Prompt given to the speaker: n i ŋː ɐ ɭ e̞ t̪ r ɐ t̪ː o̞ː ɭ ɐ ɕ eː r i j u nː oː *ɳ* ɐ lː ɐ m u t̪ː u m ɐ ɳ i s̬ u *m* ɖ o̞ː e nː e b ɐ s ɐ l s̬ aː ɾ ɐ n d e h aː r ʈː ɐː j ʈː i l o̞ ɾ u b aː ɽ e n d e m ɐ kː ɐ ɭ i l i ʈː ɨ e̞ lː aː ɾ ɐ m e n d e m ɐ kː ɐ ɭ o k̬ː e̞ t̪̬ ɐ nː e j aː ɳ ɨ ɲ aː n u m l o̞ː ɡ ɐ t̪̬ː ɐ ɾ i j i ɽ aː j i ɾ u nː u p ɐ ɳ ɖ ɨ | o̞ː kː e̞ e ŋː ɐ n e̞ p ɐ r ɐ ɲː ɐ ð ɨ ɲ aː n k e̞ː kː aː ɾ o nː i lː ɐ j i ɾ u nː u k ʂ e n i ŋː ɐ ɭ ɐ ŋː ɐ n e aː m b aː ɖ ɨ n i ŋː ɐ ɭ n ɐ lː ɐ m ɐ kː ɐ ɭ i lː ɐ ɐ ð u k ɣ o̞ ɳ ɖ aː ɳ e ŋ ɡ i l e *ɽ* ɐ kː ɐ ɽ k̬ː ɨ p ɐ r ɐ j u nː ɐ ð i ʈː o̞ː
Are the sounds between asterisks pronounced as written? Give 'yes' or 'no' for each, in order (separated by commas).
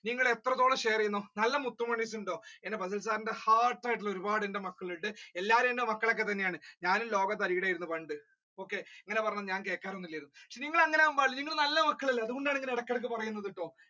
no, no, yes